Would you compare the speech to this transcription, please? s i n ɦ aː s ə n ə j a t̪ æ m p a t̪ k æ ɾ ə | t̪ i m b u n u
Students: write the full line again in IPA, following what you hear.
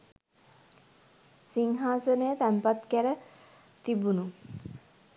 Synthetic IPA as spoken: s i ŋ ɦ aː s ə n ə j ə t̪ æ m p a t̪ k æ ɾ ə | t̪ i b u n u

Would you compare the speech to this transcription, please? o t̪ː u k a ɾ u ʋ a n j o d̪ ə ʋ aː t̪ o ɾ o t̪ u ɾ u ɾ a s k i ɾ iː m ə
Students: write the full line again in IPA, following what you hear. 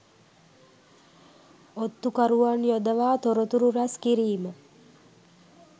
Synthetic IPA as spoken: o t̪ː u k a ɾ u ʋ a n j o d̪ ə ʋ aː t̪ o ɾ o t̪ u ɾ u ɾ a s k i ɾ iː m ə

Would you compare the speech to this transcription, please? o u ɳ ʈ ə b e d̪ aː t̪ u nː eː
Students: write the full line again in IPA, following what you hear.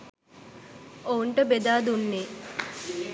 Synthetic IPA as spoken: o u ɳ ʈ ə b e d̪ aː d̪ u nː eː

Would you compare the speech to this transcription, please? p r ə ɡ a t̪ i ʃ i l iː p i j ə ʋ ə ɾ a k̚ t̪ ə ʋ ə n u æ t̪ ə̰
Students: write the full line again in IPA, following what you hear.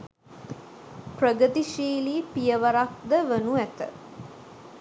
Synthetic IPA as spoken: p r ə ɡ ə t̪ i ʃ iː l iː p i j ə ʋ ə ɾ a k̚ d̪ ə ʋ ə n u æ t̪ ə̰

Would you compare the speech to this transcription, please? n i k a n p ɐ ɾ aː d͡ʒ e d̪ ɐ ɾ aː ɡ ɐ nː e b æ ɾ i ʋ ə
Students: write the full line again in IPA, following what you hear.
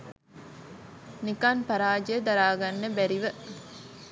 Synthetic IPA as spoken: n i k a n p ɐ ɾ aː d͡ʒ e d̪ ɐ ɾ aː ɡ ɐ nː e b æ ɾ i ʋ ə

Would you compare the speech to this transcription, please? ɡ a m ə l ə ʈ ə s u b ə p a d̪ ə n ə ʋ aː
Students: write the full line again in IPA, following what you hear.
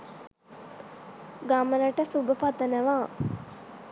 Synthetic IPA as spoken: ɡ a m ə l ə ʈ ə s u b ə p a t̪ ə n ə ʋ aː

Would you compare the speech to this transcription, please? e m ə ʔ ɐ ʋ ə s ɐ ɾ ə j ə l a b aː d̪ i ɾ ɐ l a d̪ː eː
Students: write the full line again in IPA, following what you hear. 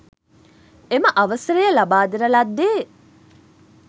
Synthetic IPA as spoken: e m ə ʔ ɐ ʋ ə s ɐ ɾ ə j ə l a b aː d̪ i ɾ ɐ l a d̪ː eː

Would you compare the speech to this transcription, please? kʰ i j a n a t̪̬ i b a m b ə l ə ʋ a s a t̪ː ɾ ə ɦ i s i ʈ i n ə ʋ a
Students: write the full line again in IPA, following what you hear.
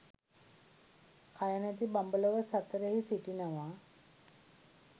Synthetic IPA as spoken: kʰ a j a n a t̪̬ i b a m b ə l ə ʋ ə s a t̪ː ɾ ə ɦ i s i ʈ i n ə ʋ a

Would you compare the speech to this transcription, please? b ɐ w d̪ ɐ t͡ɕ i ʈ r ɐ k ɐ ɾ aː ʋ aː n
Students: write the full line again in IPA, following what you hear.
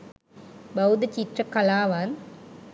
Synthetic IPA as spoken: b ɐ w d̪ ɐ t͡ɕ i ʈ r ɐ k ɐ l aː ʋ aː n

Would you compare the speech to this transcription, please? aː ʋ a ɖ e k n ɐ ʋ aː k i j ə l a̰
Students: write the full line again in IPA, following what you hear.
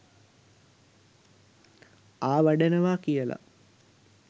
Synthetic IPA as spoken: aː ʋ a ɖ e n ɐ ʋ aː k i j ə l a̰

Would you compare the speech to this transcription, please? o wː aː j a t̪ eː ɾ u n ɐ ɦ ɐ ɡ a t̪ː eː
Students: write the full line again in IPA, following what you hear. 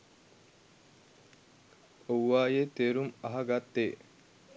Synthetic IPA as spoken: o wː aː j e t̪ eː ɾ u m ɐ ɦ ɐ ɡ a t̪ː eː

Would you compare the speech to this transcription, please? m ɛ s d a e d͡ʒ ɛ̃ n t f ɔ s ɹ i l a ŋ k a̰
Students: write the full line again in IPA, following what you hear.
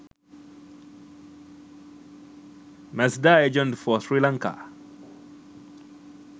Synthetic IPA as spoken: m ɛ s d a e d͡ʒ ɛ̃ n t f ɔ s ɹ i l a ŋ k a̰

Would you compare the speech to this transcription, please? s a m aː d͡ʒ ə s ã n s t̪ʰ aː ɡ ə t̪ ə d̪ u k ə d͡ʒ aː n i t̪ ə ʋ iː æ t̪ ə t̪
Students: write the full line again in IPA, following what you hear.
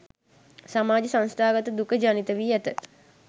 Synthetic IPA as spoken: s a m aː d͡ʒ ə s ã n s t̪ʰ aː ɡ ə t̪ ə d̪ u k ə d͡ʒ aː n i t̪ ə ʋ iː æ t̪ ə t̪

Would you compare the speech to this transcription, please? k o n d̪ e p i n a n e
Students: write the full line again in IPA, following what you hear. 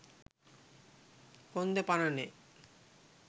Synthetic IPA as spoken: k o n d̪ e p a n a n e

